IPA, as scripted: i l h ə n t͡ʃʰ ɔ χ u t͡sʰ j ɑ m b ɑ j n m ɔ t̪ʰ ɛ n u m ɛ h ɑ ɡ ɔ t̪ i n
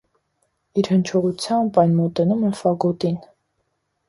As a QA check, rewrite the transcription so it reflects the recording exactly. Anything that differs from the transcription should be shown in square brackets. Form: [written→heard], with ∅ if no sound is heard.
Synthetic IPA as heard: i [l→ɾ] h ə n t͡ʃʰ ɔ [χ→ʁ] u t͡sʰ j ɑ m b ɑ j n m ɔ [t̪ʰ→t̪] ɛ n u m ɛ [h→f] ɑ ɡ ɔ t̪ i n